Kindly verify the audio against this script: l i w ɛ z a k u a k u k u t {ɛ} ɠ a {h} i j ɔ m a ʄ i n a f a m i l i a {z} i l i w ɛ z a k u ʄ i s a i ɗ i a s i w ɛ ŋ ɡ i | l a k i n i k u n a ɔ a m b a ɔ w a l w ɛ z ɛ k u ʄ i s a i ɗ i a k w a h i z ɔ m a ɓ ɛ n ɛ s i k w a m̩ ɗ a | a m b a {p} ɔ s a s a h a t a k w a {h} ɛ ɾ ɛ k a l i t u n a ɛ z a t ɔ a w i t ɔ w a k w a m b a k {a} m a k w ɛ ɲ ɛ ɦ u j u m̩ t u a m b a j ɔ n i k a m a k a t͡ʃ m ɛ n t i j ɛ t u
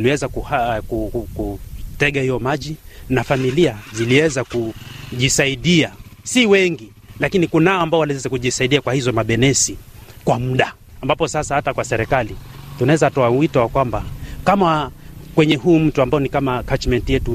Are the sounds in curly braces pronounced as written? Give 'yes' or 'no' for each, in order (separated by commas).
yes, yes, yes, yes, no, yes